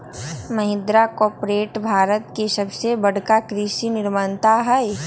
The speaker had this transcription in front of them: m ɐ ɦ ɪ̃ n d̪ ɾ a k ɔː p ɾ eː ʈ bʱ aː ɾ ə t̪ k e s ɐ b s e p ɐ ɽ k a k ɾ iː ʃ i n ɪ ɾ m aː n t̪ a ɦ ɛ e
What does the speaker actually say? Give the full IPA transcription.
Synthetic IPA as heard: m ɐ ɦ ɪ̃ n d̪ ɾ a k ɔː p ɾ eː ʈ bʱ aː ɾ ə t̪ k e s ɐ b s e b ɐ ɽ k a k ɾ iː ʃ i n ɪ ɾ m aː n t̪ a ɦ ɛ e